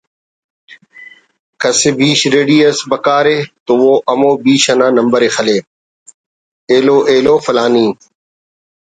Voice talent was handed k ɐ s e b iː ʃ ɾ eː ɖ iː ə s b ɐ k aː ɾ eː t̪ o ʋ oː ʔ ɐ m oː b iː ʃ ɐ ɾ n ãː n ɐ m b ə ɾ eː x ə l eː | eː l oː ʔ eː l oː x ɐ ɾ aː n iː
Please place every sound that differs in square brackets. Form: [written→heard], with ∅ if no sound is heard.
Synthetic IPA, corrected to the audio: k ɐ s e b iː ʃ ɾ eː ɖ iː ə s b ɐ k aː ɾ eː t̪ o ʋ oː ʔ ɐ m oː b iː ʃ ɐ [ɾ→∅] n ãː n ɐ m b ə ɾ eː x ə l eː | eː l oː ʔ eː l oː [x→f] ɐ [ɾ→l] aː n iː